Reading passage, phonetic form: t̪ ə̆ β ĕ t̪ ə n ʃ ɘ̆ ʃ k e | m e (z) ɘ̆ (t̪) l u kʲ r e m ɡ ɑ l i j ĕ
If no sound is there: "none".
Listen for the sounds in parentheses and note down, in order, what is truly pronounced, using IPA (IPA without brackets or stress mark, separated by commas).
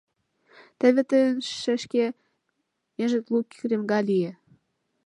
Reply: ʒ, t̪